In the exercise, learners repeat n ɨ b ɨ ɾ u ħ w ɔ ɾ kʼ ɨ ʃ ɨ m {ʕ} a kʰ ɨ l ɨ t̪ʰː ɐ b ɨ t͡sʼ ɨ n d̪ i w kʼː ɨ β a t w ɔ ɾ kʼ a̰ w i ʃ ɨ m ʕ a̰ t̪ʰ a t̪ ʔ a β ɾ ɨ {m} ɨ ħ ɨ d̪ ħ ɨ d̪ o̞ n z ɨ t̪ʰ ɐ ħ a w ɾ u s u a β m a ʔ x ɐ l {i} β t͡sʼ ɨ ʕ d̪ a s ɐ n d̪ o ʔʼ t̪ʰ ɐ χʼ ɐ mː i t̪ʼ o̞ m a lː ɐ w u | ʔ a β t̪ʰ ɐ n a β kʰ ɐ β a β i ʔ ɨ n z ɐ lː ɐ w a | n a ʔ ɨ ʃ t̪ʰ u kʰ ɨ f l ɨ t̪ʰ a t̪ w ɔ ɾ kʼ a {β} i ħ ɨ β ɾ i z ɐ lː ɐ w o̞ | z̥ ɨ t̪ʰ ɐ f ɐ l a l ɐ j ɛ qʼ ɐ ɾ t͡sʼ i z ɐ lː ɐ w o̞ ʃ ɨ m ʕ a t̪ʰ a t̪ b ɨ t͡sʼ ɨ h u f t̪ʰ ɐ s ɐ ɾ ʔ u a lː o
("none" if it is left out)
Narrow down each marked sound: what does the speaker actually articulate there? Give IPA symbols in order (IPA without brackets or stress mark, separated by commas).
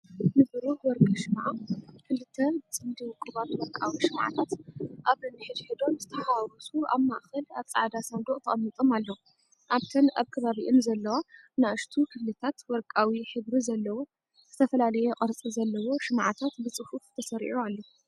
ʕ, n, a, w